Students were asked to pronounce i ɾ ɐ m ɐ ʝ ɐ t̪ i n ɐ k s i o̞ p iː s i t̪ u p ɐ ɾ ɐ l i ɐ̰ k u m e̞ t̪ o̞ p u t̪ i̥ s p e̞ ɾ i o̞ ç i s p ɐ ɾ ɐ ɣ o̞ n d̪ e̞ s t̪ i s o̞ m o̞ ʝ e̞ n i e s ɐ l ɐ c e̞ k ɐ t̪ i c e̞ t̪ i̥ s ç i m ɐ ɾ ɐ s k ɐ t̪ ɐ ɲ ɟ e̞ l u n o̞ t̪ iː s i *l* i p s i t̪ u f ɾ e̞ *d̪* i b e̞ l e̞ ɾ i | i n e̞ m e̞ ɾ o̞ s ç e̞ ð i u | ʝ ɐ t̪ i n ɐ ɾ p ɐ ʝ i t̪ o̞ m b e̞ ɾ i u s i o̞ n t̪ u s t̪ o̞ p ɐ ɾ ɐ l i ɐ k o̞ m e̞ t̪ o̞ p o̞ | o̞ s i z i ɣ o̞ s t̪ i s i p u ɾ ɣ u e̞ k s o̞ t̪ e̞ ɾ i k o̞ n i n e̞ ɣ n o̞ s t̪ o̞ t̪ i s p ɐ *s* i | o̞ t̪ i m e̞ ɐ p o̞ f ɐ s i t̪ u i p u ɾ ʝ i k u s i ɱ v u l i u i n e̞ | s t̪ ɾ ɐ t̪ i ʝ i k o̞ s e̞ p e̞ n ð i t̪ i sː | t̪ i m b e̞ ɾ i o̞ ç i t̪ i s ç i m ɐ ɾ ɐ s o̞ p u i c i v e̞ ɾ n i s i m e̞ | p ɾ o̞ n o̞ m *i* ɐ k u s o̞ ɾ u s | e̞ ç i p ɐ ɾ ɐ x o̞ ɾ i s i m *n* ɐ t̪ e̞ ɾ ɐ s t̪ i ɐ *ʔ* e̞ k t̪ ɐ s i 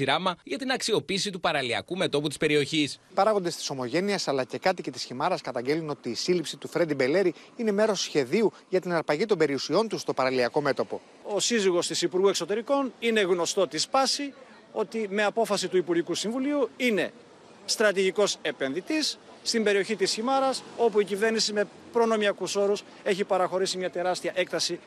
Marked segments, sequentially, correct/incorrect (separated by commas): correct, correct, correct, correct, incorrect, correct